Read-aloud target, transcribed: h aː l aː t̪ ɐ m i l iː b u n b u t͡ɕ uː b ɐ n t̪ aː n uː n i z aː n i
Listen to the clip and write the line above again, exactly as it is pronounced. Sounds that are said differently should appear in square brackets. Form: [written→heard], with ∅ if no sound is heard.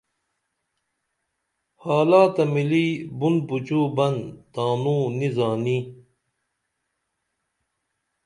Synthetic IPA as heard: h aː l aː t̪ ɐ m i l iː b u n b u t͡ɕ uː b ɐ n t̪ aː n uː n i z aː n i